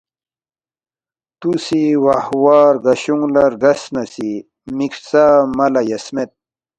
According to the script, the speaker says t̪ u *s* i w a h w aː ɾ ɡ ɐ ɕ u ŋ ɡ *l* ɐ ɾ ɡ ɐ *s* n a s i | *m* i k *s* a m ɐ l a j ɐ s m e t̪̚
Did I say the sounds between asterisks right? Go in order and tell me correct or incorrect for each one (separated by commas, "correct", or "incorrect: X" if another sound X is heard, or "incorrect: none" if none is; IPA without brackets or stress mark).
correct, correct, correct, correct, correct